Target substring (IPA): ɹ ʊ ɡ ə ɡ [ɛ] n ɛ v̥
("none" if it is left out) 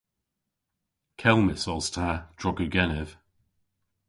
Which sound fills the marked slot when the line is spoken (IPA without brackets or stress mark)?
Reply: ɛ